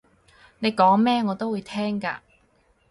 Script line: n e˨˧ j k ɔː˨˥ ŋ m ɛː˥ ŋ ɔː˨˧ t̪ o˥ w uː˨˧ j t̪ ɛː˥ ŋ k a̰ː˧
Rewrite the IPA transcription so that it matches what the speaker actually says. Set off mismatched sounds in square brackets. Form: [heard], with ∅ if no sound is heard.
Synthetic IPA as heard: n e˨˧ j k ɔː˨˥ ŋ m ɛː˥ ŋ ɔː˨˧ t̪ o˥ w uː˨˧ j [t̪ʰ] ɛː˥ ŋ k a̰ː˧